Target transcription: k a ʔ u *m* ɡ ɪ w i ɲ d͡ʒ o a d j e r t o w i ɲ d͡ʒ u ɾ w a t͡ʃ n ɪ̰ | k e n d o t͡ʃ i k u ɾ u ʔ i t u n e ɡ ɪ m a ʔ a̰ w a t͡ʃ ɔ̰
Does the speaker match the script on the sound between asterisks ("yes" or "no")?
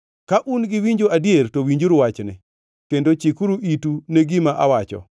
no